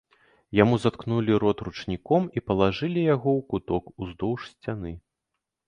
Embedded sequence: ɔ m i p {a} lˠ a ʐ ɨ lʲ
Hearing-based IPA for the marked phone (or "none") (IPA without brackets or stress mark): ɐ